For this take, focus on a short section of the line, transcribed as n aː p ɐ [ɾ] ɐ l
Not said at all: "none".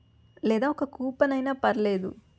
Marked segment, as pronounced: ɾ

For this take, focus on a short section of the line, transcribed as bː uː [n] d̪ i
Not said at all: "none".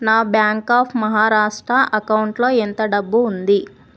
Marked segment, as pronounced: n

